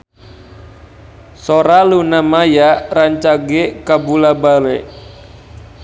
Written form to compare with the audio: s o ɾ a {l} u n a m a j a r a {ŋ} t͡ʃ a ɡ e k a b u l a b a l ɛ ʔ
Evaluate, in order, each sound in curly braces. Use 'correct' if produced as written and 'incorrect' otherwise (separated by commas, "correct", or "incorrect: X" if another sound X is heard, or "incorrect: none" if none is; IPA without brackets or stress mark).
correct, incorrect: ɲ